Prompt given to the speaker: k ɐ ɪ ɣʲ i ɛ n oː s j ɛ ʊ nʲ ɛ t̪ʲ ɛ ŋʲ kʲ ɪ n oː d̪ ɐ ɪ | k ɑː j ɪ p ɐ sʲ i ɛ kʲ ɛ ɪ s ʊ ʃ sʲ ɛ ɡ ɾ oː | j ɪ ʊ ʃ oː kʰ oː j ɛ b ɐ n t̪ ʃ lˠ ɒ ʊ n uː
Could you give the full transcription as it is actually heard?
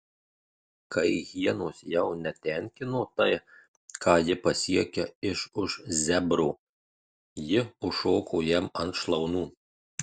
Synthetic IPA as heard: k ɐ ɪ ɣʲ i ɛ n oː s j ɛ ʊ nʲ ɛ t̪ʲ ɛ ŋʲ kʲ ɪ n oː t̪ ɐ ɪ | k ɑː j ɪ p ɐ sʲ i ɛ kʲ ɛ ɪ ʃ ʊ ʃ zʲ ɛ b ɾ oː | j ɪ ʊ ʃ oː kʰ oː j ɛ m ɐ n t̪ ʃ lˠ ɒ ʊ n uː